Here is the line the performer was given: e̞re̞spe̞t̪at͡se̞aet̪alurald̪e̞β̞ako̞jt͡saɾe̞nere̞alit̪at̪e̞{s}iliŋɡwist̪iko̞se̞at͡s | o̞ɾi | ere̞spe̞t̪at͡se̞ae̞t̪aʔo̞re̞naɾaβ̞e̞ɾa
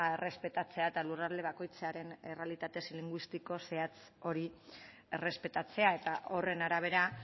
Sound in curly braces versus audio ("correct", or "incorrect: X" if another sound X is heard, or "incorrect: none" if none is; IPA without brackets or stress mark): correct